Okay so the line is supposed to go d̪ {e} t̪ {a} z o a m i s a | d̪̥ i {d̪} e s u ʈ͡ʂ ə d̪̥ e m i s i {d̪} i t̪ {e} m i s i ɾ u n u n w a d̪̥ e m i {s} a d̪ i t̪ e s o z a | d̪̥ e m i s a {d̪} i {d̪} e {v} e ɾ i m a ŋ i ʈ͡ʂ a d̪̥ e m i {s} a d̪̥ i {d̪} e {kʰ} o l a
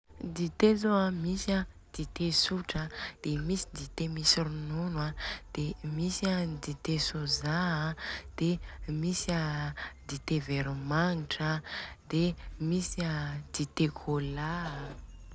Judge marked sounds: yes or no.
no, no, no, yes, yes, yes, yes, no, yes, yes, no, yes

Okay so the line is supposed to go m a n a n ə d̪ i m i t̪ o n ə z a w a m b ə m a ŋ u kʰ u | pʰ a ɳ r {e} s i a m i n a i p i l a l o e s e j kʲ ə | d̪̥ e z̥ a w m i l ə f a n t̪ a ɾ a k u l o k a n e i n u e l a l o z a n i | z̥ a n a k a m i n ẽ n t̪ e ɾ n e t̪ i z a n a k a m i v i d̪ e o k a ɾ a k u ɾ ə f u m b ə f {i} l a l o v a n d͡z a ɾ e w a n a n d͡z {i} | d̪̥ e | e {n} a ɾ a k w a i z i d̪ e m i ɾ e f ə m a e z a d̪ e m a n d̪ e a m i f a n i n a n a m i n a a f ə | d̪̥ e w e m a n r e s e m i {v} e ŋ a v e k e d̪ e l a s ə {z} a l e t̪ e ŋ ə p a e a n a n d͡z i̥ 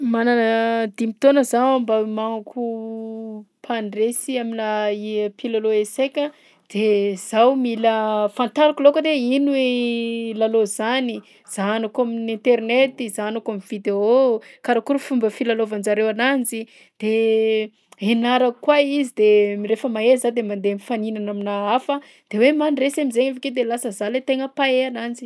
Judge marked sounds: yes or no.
yes, yes, yes, yes, no, yes

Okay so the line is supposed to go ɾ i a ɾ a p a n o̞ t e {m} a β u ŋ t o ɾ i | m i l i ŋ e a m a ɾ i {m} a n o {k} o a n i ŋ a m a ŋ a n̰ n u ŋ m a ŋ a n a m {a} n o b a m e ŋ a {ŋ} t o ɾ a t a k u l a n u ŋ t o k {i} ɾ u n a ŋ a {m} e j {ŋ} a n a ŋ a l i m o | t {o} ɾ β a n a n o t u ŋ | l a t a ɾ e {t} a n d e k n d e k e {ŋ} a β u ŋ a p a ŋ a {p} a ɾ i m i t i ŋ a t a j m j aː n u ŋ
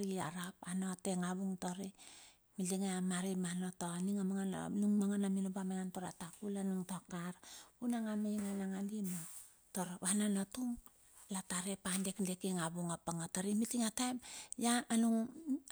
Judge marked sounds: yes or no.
no, yes, no, no, no, no, yes, yes, yes, no, yes, no

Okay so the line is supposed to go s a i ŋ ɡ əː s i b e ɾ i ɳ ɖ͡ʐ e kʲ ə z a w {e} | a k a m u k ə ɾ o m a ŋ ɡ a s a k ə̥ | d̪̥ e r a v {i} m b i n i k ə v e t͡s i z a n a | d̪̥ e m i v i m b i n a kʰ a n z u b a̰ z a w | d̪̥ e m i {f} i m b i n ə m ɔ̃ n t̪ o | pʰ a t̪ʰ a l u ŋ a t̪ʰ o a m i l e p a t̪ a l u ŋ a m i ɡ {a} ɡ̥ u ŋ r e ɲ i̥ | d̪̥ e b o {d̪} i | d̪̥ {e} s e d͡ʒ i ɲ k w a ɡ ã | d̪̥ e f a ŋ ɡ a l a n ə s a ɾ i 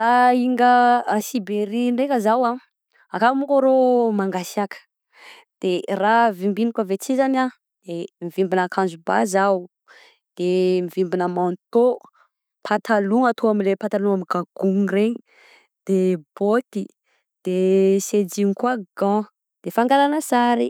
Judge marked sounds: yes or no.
no, yes, no, yes, no, yes

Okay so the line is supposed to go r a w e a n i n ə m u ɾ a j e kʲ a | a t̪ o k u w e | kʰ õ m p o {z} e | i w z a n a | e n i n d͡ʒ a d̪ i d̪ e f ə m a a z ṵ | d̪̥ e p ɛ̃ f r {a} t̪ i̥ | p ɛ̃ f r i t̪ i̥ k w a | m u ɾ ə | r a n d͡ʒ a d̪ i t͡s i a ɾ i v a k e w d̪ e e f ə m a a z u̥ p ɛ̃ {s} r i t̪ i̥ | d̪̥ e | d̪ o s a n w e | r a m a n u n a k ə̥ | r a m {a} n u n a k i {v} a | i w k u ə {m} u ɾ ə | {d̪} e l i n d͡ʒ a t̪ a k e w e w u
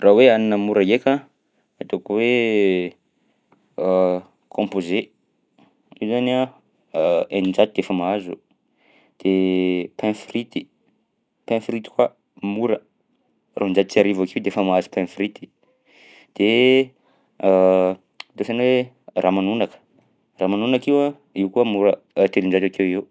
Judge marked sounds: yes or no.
yes, no, no, yes, no, yes, no

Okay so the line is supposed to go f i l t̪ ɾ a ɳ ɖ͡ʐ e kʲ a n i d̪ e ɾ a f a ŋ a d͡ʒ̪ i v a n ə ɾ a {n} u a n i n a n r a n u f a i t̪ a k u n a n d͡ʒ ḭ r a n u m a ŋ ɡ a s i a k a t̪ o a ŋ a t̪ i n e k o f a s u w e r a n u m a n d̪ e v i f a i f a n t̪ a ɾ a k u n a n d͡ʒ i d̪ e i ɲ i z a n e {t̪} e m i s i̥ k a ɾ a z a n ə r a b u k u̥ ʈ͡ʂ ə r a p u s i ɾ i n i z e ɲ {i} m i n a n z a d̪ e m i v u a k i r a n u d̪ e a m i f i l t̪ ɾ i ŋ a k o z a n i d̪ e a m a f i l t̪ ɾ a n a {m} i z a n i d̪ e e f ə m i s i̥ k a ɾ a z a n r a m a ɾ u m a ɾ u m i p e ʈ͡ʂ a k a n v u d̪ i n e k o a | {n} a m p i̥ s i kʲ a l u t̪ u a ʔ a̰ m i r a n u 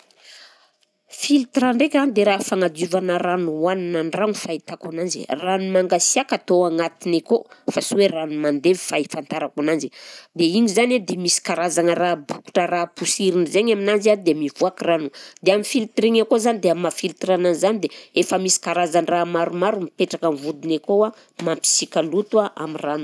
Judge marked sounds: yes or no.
yes, no, no, no, no

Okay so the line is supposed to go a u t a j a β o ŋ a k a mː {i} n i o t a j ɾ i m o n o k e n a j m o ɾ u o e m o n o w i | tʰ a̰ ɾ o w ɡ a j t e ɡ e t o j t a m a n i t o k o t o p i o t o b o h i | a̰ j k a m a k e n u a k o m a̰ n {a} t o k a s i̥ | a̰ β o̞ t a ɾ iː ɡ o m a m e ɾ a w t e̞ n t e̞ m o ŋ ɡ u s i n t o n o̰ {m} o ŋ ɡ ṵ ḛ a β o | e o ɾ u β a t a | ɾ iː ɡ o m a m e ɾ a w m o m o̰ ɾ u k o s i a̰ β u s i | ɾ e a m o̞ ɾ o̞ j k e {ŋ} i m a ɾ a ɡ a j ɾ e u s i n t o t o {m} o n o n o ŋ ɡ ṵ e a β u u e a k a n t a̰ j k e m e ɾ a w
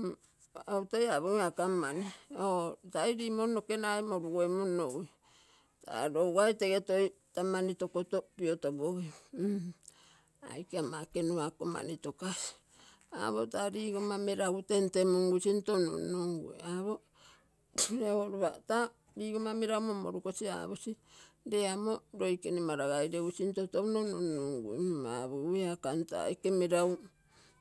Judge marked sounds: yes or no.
no, no, no, no, no

